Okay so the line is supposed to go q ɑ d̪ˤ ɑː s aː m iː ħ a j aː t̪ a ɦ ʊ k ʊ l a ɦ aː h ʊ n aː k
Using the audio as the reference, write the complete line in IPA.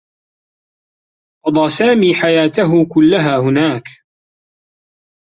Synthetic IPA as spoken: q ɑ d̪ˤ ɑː s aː m iː ħ a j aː t̪ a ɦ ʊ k ʊ lː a ɦ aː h ʊ n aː k

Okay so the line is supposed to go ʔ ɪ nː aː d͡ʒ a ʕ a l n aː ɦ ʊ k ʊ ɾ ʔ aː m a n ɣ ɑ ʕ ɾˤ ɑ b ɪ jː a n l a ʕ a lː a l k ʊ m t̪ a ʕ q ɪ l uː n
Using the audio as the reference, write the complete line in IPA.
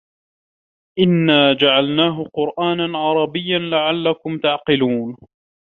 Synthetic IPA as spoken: ʔ ɪ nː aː d͡ʒ a ʕ a l n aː ɦ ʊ q ʊ ɾ ʔ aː n a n ʕ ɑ ɾˤ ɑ b ɪ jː a n l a ʕ a lː a k ʊ m t̪ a ʕ q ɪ l uː n

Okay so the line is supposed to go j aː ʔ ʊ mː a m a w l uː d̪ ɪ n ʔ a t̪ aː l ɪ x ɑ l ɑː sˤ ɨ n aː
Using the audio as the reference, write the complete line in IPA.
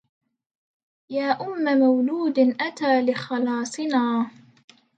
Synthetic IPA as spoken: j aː ʔ ʊ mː a m a w l uː d̪ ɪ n ʔ a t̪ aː l ɪ x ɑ l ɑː sˤ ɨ n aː

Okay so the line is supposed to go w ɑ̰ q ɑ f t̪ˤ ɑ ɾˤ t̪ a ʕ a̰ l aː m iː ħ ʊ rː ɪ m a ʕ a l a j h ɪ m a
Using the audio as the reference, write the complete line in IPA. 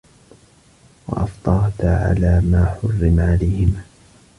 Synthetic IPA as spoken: w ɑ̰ ʔ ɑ f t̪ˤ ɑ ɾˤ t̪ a ʕ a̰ l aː m aː ħ ʊ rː ɪ m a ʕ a l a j h ɪ m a

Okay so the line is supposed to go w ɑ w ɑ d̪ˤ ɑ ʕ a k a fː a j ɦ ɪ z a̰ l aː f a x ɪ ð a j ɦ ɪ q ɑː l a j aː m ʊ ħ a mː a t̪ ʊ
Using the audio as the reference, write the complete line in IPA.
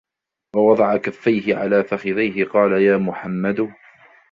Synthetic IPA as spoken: w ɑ w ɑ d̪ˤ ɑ ʕ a k a fː a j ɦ ɪ ʕ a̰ l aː f a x ɪ ð a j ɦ ɪ q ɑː l a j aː m ʊ ħ a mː a d̪ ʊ

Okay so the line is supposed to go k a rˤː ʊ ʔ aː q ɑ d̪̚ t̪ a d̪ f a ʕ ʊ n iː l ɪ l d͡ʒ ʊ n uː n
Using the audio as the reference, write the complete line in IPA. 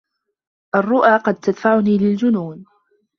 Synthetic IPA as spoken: ʔ a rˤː ʊ ʔ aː q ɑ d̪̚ t̪ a d̪ f a ʕ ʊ n iː l ɪ l d͡ʒ ʊ n uː n

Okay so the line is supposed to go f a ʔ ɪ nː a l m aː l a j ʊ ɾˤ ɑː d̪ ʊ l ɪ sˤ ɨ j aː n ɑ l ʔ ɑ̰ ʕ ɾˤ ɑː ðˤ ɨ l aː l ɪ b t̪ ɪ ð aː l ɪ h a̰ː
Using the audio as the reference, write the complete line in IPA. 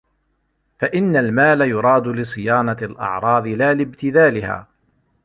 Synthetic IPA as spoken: f a ʔ ɪ nː a l m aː l a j ʊ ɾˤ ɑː d̪ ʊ l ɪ sˤ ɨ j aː n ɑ l ʔ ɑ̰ ʕ ɾˤ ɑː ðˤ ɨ l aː l ɪ b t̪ ɪ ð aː l ɪ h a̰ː

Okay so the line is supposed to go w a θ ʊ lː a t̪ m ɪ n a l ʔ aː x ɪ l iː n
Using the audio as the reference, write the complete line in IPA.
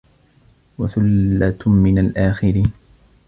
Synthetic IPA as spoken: w a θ ʊ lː a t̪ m ɪ n a l ʔ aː x ɪ ɾ iː n

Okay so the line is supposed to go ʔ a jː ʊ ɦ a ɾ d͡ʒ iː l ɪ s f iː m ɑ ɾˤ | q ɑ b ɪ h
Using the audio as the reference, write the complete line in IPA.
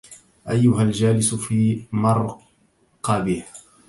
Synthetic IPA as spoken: ʔ a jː ʊ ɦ a l d͡ʒ aː l ɪ s f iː m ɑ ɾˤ | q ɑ b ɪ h

